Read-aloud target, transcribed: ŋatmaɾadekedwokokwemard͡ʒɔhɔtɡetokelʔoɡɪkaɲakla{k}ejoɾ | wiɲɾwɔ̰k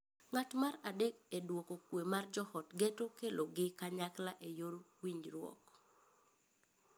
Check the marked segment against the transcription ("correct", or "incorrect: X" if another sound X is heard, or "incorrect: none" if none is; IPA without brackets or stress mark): incorrect: ʔ